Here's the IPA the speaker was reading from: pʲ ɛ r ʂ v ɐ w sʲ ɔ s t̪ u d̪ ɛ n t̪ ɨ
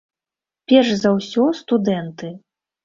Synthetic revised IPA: pʲ ɛ r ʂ z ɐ w sʲ ɔ s t̪ u d̪ ɛ n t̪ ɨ